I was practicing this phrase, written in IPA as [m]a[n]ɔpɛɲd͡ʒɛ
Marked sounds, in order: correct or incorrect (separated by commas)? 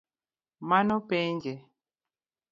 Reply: correct, correct